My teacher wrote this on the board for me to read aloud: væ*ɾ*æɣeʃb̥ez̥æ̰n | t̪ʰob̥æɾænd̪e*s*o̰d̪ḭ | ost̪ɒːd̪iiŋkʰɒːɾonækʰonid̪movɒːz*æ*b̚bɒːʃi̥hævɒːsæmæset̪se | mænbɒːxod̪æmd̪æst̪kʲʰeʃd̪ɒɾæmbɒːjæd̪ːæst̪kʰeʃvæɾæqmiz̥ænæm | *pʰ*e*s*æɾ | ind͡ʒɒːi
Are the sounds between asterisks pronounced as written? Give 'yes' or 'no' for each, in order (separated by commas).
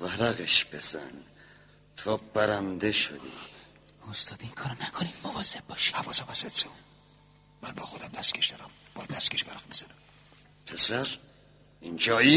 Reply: yes, no, no, yes, yes